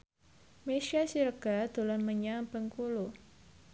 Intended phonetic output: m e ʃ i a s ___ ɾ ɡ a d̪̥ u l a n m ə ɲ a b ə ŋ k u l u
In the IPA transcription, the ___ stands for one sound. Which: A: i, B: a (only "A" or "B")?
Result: A